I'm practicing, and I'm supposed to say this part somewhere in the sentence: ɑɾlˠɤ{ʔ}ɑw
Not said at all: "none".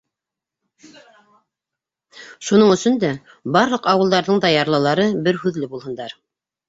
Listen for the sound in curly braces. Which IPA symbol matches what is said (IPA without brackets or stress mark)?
q